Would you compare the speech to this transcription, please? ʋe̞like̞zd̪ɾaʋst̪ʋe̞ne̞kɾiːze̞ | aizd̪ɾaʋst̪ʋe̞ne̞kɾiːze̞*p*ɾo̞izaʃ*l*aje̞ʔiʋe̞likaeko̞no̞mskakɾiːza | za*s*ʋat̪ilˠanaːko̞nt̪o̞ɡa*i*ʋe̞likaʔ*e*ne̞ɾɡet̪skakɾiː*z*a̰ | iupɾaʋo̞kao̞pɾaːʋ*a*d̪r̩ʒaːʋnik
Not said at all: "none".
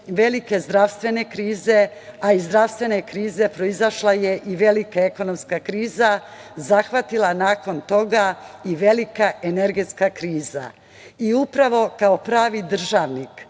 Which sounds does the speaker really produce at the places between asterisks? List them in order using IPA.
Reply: p, l, x, i, e, z, i

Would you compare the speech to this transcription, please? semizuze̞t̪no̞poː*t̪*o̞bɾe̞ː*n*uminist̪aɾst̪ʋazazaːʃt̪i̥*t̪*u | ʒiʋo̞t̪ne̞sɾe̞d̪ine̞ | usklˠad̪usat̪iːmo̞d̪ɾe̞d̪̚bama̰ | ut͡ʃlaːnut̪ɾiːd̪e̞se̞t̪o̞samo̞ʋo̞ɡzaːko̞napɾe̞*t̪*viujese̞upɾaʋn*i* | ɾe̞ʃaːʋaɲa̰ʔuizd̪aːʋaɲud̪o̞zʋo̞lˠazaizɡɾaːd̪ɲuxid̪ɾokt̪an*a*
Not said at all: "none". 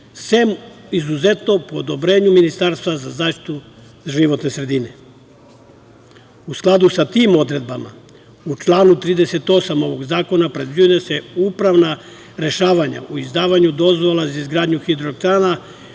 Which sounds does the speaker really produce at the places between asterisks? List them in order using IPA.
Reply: d̪, ɲ, t̪, d̪, a, a

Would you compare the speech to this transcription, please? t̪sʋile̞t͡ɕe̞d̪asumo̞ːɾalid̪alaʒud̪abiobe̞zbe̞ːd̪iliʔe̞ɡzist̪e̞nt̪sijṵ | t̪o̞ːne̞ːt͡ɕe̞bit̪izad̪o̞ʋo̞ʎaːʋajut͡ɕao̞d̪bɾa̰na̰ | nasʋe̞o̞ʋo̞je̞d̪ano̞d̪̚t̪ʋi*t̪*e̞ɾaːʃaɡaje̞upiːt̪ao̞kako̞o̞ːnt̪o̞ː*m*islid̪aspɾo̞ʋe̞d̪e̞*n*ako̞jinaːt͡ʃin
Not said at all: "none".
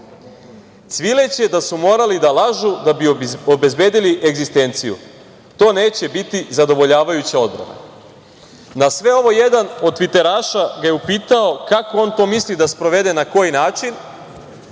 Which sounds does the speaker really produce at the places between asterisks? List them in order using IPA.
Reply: t̪, m, n

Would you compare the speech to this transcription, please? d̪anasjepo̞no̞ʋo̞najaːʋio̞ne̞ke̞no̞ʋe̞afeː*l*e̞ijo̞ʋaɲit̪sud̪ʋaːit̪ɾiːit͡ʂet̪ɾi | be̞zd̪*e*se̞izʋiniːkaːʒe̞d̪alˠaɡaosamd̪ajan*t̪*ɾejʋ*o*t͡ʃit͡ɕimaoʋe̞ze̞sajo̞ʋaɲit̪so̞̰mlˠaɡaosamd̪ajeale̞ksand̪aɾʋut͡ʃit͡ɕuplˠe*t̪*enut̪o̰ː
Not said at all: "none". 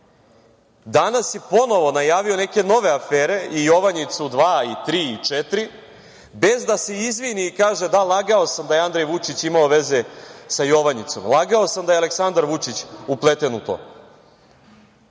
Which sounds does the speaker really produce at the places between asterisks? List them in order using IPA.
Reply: ɾ, a, d̪, u, t̪

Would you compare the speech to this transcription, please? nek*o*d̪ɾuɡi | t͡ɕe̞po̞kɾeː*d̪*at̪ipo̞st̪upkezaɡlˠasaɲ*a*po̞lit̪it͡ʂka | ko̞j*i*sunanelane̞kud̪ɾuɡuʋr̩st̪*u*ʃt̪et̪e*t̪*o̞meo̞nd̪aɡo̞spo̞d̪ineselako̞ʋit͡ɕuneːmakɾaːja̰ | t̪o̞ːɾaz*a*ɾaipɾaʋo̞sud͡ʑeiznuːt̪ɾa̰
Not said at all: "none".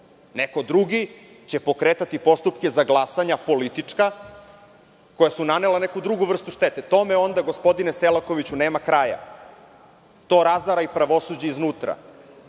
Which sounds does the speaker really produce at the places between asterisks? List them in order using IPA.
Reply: o, t̪, a, a, u, t̪, a

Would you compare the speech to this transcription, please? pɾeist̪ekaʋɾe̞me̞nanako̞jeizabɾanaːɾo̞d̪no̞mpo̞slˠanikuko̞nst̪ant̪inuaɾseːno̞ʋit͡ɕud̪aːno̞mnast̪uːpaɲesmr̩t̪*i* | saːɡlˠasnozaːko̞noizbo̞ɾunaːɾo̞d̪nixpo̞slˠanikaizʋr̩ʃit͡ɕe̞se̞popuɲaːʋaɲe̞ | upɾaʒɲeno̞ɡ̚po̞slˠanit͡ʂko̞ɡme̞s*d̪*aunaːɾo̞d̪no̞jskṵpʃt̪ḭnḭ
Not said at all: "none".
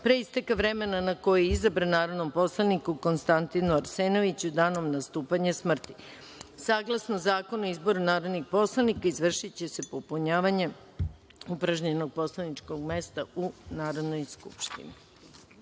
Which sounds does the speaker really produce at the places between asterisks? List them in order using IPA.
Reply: i, t̪

